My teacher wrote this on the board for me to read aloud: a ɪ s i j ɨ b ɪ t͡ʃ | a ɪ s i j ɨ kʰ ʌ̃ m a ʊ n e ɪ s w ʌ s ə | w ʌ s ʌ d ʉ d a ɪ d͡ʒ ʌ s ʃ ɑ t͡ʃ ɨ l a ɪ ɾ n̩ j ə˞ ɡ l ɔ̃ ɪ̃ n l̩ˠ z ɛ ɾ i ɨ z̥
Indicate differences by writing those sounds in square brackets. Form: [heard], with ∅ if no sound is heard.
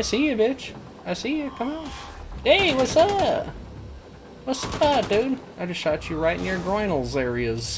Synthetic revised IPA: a ɪ s i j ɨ b ɪ t͡ʃ | a ɪ s i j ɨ kʰ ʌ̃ m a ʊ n e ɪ [∅] w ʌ s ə | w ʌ s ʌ d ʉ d a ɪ d͡ʒ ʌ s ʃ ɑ t͡ʃ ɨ [ɹ] a ɪ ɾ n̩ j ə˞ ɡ [ɹ] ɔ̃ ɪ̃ n l̩ˠ z ɛ [ɹ] i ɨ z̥